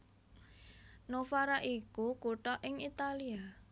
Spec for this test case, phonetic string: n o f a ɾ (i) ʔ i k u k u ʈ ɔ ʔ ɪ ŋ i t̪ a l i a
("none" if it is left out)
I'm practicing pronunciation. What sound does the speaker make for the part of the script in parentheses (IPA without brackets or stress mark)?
a